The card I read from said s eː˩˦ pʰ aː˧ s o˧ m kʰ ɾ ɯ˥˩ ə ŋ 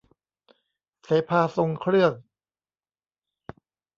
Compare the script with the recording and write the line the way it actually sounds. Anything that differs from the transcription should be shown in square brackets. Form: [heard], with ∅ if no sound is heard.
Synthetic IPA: s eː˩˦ pʰ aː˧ s o˧ [ŋ] kʰ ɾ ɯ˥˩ ə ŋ